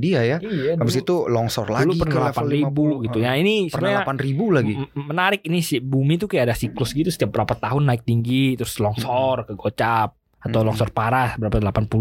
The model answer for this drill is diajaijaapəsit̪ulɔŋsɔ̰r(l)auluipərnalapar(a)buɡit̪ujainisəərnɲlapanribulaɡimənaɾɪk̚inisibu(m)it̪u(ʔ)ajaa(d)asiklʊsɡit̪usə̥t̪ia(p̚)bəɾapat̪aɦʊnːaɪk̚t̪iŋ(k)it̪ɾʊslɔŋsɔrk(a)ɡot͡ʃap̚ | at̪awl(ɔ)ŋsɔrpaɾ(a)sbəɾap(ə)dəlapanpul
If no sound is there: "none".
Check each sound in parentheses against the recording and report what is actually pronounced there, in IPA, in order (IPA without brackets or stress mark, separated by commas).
l, i, m, k, d, p̚, ɡ, ə, ɔ, a, a